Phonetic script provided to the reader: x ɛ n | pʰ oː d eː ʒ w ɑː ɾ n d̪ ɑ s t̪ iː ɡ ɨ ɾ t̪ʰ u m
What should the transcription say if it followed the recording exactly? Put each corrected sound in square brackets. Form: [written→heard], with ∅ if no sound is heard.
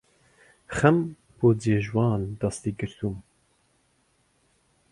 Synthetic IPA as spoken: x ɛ [n→m] | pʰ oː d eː ʒ w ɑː [ɾ→∅] n d̪ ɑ s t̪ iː ɡ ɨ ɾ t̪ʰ u m

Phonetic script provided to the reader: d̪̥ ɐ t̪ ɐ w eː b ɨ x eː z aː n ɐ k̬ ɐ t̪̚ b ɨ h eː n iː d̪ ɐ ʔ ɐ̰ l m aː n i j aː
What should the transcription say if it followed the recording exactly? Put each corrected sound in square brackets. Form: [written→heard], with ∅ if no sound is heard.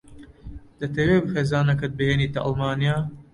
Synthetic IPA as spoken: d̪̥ ɐ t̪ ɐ w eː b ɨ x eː z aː n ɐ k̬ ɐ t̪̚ b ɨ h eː n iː [d̪→t̪] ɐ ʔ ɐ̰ l m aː n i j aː

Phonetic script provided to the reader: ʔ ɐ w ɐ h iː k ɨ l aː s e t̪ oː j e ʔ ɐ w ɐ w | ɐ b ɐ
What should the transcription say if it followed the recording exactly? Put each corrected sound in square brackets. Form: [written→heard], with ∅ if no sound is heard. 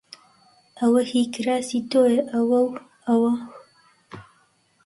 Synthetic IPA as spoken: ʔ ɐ w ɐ h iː k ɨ [l→ɾ] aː s [e→i] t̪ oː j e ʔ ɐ w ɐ w | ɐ [b→w] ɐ

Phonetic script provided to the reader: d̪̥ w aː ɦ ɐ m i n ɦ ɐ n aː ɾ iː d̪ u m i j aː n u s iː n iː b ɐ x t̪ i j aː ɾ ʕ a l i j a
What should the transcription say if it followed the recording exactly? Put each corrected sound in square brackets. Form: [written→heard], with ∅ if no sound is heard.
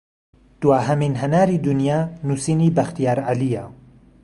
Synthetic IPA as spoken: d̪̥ w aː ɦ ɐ m i n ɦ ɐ n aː ɾ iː d̪ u [m→n] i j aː n u s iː n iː b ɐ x t̪ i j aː ɾ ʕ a l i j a

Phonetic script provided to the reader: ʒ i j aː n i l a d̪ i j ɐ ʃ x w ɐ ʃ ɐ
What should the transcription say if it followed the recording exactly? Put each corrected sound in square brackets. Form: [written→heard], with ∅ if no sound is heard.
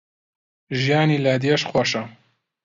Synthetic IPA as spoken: ʒ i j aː n i l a d̪ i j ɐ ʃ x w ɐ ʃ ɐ

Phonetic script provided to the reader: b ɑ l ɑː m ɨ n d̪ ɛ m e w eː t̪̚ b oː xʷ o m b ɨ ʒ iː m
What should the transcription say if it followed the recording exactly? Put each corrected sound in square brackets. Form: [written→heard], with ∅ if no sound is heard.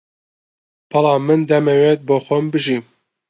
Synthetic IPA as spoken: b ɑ l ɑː m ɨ n d̪ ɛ m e w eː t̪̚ b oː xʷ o m b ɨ ʒ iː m

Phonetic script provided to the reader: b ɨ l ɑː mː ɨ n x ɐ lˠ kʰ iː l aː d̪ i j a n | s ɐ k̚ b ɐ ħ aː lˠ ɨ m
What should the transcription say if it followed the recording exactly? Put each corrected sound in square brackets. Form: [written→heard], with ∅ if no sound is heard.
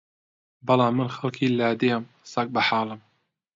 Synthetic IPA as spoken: b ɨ l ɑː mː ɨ n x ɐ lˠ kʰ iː l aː d̪ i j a [n→m] | s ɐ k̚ b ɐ ħ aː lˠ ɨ m

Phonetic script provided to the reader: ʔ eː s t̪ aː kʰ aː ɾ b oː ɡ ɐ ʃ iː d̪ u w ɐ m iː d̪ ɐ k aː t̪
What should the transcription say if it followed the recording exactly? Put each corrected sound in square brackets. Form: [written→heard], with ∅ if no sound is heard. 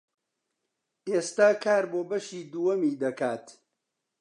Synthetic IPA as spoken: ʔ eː s t̪ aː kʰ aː ɾ b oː [ɡ→b] ɐ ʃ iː d̪ u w ɐ m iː d̪ ɐ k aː t̪

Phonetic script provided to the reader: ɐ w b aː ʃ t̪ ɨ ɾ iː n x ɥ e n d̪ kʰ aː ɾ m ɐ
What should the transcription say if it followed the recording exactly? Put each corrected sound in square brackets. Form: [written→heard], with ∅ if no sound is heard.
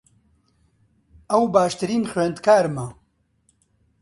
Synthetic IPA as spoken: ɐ w b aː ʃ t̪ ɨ ɾ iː n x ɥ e n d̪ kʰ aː ɾ m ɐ

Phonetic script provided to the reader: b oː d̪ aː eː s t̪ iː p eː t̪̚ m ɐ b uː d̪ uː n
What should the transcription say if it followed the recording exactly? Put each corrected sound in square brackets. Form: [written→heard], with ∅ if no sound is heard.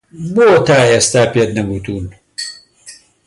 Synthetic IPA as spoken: b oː [d̪→t̪] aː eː s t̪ [iː→aː] p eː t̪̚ [m→n] ɐ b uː [d̪→t̪] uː n

